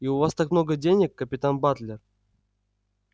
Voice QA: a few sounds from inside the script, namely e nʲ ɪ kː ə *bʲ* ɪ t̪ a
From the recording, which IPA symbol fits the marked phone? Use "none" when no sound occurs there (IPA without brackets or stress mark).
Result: pʲ